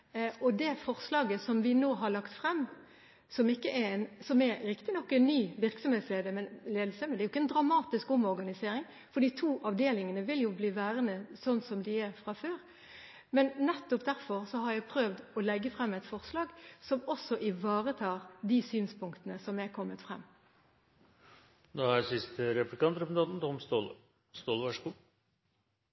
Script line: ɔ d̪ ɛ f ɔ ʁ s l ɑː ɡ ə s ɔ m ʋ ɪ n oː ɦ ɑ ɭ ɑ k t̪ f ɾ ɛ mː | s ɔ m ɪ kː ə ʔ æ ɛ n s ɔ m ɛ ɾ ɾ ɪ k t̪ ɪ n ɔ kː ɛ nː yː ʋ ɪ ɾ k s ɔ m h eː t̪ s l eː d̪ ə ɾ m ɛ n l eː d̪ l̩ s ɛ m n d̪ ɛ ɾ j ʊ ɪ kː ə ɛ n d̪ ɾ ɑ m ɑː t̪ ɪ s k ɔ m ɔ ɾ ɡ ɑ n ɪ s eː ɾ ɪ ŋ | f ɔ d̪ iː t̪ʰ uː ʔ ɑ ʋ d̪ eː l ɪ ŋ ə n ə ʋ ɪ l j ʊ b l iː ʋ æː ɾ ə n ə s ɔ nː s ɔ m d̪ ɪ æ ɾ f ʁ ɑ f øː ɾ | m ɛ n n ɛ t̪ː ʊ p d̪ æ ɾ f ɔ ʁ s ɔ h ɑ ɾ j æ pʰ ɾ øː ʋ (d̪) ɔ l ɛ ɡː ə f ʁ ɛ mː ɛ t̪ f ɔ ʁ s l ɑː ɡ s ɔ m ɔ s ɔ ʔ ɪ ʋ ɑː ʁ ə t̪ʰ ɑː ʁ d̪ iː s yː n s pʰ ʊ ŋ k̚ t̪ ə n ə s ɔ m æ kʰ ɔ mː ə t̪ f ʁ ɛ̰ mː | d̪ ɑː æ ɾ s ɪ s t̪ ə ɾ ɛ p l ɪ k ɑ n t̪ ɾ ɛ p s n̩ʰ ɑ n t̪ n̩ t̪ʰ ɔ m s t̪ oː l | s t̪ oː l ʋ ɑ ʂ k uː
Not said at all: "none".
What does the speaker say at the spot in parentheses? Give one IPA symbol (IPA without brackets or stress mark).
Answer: d̪